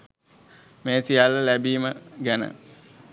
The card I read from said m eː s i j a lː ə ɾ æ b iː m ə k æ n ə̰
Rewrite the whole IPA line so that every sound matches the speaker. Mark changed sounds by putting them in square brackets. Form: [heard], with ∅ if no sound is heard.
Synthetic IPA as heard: m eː s i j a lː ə [l] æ b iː m ə [ɡ] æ n ə̰